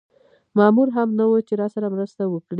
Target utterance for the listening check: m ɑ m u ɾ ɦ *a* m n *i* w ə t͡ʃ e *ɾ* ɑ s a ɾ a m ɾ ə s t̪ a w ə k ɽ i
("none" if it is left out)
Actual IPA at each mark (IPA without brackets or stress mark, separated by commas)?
a, a, ɾ